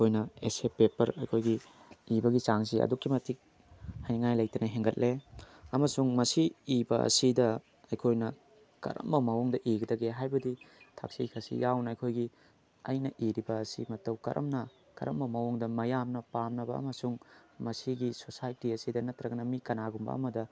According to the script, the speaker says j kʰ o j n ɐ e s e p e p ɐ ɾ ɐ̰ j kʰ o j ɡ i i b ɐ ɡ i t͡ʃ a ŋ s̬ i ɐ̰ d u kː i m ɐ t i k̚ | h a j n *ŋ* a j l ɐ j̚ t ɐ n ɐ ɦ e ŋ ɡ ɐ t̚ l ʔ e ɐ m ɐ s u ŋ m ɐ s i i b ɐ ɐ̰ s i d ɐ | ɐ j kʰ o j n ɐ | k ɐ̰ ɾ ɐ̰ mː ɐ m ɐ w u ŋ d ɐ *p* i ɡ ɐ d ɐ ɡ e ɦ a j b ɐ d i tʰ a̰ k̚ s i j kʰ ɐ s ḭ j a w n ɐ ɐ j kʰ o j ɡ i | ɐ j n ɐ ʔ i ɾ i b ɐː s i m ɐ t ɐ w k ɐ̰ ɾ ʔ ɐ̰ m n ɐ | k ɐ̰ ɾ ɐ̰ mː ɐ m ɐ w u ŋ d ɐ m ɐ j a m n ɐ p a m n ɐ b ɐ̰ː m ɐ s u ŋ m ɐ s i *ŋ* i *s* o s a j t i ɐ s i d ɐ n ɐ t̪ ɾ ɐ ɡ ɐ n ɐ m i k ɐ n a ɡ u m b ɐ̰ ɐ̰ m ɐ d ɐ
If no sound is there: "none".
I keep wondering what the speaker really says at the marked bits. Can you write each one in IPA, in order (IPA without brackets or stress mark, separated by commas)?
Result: ŋ, ʔ, ɡ, s